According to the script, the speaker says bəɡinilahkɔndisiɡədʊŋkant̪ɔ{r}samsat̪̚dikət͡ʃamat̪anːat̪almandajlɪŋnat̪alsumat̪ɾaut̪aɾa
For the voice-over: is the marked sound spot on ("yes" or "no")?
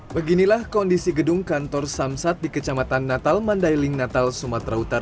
yes